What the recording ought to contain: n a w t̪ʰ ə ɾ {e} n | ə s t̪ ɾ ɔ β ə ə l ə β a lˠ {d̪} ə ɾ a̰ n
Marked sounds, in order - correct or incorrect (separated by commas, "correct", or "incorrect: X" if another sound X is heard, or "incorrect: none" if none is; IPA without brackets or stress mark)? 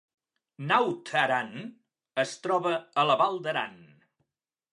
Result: incorrect: a, correct